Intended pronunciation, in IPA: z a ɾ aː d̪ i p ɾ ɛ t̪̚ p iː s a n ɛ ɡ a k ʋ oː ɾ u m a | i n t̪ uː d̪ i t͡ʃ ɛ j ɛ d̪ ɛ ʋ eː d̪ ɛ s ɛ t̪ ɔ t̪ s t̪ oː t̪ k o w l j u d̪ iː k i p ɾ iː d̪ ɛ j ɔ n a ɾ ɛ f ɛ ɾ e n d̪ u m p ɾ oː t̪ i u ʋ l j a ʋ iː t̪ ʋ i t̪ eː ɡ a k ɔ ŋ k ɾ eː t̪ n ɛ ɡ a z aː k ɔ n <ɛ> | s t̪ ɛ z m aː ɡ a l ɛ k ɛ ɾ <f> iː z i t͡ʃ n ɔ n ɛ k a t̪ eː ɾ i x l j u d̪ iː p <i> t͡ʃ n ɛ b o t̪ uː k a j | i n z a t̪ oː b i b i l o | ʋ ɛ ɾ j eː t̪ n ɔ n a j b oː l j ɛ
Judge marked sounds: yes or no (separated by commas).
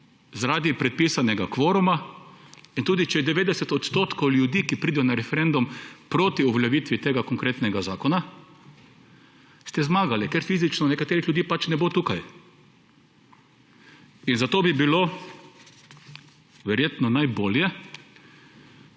no, yes, no